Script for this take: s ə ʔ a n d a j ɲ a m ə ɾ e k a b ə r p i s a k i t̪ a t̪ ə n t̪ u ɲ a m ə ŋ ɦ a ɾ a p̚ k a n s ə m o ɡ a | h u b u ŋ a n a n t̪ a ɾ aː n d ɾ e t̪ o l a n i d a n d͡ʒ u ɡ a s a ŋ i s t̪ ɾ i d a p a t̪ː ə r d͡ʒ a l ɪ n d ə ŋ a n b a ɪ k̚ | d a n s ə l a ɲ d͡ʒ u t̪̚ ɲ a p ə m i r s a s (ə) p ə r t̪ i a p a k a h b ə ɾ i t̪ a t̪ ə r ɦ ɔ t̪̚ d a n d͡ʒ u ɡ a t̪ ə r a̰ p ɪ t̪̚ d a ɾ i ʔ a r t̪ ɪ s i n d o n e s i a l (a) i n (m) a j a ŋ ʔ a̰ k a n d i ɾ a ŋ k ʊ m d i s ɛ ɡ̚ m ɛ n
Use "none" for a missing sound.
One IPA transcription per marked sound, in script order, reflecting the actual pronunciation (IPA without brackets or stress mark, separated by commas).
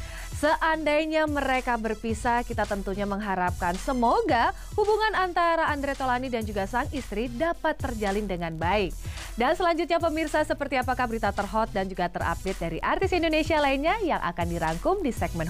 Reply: ə, a, ɲ